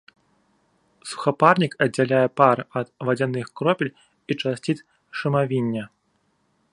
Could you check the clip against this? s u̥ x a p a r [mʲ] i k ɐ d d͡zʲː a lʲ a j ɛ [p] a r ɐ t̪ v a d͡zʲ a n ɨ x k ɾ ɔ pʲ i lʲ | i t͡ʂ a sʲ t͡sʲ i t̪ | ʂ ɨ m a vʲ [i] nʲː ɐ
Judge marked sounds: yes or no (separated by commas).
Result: no, yes, yes